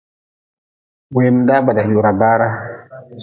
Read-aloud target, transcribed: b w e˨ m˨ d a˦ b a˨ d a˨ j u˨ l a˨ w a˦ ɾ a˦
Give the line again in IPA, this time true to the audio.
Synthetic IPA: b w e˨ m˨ d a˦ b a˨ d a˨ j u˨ ɾ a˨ b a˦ ɾ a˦